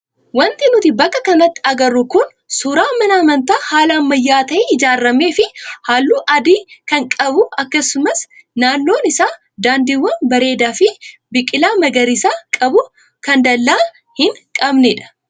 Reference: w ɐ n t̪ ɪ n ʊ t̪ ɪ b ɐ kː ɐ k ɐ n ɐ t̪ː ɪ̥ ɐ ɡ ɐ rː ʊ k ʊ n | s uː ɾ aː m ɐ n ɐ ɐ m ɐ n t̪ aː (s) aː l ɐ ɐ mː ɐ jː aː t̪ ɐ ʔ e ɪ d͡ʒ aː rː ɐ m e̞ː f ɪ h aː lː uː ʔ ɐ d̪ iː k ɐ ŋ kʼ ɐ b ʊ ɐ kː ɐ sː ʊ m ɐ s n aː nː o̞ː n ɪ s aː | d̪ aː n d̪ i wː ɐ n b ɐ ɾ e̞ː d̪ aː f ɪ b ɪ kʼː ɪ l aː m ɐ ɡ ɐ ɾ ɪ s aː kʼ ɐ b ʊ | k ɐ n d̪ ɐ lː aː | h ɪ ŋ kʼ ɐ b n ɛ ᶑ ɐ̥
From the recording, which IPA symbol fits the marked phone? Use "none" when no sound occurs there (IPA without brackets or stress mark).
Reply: h